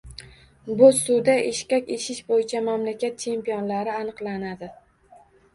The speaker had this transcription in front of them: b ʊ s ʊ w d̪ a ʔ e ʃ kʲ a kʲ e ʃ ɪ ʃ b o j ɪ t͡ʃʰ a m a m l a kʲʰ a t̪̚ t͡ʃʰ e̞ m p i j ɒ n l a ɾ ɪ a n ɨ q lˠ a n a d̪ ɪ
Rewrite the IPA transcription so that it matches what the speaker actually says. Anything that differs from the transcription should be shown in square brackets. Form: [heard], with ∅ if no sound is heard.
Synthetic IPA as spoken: b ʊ s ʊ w d̪ a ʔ e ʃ kʲ a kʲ e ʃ ɪ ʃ b o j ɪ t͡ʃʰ a m a m l a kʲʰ a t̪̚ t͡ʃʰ e̞ m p i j ɒ n l a ɾ ɪ a n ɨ q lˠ a n a d̪ ɪ